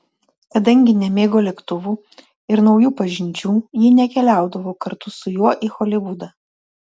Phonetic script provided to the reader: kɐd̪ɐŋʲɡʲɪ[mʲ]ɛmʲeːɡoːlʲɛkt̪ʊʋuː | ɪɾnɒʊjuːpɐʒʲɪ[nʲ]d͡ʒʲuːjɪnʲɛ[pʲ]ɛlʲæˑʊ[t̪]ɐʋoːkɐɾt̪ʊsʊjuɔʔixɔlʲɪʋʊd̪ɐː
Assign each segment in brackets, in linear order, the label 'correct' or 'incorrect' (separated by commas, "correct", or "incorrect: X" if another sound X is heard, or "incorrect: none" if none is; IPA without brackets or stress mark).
incorrect: nʲ, correct, incorrect: kʲ, incorrect: d̪